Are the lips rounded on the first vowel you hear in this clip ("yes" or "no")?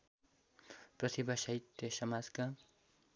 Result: no